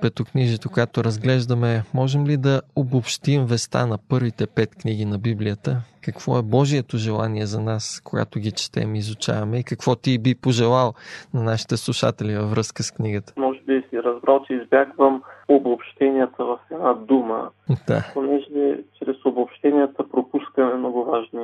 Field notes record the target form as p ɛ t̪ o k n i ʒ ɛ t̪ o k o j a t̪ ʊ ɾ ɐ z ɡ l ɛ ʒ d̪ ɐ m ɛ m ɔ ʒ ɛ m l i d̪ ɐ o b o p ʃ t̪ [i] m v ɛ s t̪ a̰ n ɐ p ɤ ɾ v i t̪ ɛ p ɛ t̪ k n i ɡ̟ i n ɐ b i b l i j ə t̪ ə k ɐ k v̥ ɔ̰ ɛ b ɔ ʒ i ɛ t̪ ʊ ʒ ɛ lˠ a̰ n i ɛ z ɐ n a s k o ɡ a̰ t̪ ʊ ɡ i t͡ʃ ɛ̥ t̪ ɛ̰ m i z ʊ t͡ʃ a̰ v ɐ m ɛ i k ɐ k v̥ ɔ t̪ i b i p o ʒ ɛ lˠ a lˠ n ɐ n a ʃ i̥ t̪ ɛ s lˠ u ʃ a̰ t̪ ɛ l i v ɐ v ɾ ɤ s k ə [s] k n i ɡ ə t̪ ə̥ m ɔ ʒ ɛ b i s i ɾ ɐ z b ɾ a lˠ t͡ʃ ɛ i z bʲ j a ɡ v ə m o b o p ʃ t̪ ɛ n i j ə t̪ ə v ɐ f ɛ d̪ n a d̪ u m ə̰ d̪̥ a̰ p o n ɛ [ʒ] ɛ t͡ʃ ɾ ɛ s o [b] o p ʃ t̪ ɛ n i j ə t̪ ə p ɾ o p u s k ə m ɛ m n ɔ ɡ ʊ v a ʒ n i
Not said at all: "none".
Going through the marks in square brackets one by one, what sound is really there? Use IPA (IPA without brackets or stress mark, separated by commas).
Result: i, s, ʒ, b